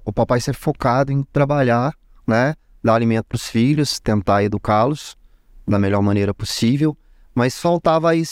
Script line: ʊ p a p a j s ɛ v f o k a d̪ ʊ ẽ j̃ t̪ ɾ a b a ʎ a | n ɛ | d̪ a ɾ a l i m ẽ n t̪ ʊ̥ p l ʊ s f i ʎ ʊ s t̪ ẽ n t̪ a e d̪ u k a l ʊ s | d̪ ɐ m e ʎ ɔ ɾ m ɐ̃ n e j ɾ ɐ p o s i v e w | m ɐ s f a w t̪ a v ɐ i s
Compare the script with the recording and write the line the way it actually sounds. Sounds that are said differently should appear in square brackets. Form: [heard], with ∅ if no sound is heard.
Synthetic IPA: ʊ p a p a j s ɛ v f o k a d̪ ʊ ẽ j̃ t̪ ɾ a b a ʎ a | n ɛ | d̪ a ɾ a l i m ẽ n t̪ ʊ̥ p [ɾ] ʊ s f i ʎ ʊ s t̪ ẽ n t̪ a e d̪ u k a l ʊ s | d̪ ɐ m e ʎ ɔ ɾ m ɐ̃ n e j ɾ ɐ p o s i v e w | m ɐ s f a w t̪ a v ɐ i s